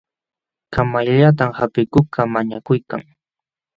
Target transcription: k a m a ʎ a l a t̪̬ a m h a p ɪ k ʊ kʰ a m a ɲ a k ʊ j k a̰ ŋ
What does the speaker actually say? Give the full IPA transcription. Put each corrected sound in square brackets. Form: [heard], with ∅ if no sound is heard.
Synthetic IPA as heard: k a m a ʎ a [ʎ] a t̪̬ a m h a p ɪ k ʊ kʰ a m a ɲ a k ʊ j k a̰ ŋ